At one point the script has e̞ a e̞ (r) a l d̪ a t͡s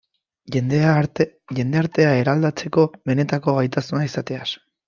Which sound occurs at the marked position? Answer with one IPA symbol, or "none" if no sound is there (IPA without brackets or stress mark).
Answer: ɾ